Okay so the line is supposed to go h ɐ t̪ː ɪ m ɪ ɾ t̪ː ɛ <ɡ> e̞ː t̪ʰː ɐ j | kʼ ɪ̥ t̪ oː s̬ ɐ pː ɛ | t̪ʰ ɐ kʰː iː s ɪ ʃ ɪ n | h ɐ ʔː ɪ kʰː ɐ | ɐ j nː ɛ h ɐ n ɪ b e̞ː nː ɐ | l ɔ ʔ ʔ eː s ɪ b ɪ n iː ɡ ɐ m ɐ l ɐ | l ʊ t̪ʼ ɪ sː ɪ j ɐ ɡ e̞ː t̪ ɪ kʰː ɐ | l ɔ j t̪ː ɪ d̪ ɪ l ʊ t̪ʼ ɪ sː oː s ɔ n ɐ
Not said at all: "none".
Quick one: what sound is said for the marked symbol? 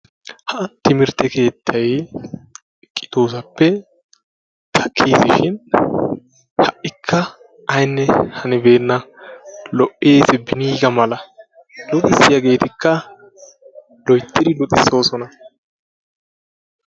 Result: k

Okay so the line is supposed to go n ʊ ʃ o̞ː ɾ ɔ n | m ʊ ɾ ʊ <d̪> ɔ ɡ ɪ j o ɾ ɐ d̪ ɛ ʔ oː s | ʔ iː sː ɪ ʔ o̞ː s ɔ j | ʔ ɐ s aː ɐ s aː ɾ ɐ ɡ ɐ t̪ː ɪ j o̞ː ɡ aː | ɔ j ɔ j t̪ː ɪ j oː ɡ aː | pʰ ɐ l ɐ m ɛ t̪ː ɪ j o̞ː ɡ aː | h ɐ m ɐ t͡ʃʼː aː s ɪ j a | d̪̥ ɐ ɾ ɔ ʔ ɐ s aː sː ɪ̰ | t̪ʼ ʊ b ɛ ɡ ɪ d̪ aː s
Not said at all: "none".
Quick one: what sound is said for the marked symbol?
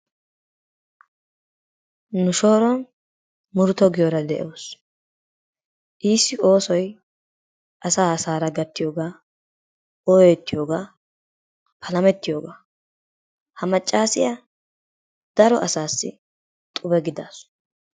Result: t̪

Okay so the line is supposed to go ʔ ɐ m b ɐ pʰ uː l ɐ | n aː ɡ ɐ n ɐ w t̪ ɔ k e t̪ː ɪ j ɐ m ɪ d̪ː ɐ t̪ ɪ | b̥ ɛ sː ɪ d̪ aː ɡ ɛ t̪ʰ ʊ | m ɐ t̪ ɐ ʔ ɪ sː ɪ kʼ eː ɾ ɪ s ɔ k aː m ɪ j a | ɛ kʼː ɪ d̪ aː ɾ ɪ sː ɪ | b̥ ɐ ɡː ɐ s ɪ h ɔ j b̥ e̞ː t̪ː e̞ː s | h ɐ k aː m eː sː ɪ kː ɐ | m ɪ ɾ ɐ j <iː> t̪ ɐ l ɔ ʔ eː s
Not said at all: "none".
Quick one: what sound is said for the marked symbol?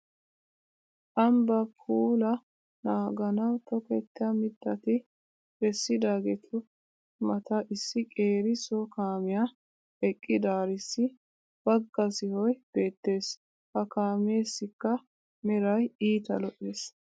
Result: iː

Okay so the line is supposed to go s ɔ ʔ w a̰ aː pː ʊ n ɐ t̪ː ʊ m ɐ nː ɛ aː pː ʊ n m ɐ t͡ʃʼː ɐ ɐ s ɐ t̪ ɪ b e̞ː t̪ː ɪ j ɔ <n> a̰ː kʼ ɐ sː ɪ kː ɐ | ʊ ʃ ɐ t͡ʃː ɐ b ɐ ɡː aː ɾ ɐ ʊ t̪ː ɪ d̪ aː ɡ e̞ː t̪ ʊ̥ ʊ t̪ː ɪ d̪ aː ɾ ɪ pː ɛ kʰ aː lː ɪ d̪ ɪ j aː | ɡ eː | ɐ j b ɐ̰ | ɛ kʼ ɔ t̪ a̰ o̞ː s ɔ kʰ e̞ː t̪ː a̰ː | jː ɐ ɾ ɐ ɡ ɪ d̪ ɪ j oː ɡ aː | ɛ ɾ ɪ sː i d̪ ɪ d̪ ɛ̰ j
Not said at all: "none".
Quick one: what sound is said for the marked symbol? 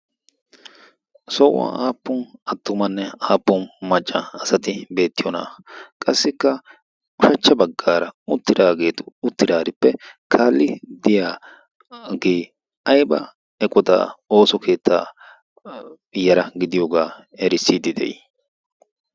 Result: n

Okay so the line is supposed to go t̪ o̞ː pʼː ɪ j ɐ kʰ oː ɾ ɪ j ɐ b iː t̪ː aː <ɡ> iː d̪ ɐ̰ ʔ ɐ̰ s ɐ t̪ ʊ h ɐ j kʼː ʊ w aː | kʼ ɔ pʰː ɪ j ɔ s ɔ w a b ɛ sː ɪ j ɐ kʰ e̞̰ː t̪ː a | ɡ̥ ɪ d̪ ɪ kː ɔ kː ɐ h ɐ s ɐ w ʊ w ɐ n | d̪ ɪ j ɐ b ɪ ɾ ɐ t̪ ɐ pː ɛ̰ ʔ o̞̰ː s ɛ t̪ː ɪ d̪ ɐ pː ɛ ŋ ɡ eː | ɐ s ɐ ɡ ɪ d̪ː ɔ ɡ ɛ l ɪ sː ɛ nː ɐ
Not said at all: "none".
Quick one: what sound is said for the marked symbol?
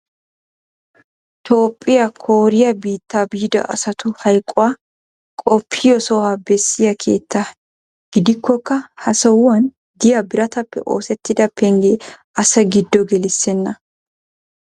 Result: b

